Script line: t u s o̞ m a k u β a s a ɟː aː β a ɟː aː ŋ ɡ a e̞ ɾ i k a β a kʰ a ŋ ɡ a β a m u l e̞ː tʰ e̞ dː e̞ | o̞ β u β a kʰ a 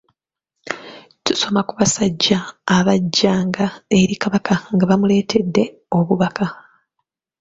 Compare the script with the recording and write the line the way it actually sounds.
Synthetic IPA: t u s o̞ m a k u β a s a ɟː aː β a ɟː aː ŋ ɡ a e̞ ɾ i k a β a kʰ a ŋ ɡ a β a m u l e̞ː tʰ e̞ dː e̞ | o̞ β u β a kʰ a